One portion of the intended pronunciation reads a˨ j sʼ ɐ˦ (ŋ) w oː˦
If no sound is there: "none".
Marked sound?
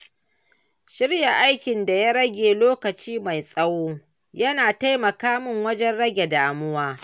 none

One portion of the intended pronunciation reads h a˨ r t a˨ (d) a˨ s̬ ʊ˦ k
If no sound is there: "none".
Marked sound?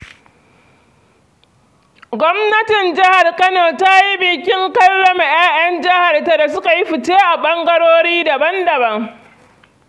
d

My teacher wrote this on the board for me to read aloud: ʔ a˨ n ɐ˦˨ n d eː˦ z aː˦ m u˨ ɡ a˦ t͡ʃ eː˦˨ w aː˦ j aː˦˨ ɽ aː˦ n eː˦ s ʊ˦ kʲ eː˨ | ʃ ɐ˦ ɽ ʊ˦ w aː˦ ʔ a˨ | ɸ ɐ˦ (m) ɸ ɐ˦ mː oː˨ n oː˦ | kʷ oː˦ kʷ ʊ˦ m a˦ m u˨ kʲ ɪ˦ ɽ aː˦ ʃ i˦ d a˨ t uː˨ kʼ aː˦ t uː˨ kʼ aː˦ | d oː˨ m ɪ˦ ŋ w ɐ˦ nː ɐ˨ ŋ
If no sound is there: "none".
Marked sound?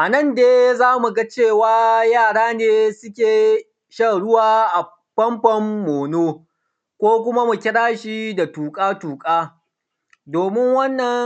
m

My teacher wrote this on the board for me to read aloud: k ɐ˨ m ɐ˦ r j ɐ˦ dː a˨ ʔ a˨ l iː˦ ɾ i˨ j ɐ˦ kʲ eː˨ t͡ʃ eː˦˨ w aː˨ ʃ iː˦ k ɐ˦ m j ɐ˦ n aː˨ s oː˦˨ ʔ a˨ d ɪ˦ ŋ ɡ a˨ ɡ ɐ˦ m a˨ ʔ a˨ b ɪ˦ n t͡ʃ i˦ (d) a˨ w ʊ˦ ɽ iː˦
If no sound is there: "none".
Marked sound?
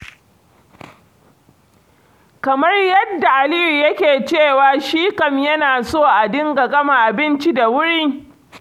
d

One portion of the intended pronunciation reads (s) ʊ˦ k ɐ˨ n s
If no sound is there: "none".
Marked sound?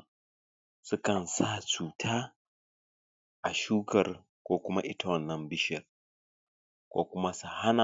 s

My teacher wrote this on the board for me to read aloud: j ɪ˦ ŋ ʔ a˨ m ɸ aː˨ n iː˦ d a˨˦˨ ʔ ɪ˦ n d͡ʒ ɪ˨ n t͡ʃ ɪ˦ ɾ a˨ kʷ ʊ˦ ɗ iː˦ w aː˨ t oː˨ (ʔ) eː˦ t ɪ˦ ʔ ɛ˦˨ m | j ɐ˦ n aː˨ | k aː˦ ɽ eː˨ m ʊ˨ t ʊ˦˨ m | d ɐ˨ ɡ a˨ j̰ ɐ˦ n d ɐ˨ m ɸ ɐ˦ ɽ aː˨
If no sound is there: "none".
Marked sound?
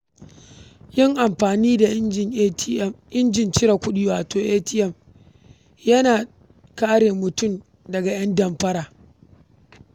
ʔ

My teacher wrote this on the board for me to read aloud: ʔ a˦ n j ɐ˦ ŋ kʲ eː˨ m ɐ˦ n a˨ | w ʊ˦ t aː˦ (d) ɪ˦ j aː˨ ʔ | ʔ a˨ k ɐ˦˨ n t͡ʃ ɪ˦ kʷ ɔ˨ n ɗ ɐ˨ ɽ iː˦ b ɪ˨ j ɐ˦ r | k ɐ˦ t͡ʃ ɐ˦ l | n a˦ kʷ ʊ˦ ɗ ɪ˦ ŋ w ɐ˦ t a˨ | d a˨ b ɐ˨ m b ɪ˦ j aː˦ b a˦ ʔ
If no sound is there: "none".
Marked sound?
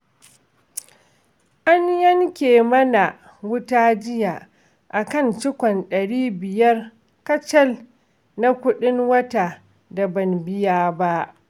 d͡ʒ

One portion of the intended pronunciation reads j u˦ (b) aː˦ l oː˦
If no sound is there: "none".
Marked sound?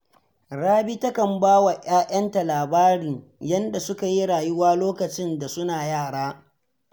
w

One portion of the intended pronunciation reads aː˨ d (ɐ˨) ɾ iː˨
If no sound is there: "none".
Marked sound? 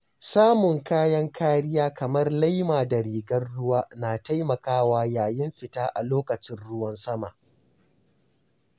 ɐ˨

